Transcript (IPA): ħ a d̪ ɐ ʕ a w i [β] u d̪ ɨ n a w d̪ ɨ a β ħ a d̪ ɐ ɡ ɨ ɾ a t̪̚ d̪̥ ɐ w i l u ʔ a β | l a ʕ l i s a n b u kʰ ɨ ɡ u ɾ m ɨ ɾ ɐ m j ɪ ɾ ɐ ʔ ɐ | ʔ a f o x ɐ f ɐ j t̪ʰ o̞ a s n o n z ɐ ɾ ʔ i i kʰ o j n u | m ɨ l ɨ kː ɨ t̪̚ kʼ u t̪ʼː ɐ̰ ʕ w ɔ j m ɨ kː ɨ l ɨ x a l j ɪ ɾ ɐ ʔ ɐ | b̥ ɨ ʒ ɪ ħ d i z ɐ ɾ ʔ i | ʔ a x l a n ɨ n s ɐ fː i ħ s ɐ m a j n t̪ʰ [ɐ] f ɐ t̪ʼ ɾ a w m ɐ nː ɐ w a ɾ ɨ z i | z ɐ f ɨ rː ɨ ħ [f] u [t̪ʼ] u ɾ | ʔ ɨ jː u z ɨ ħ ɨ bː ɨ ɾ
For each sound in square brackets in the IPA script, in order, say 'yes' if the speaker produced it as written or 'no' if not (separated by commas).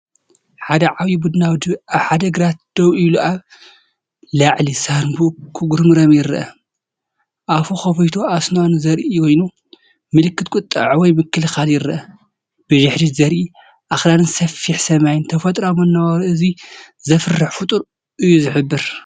no, yes, yes, yes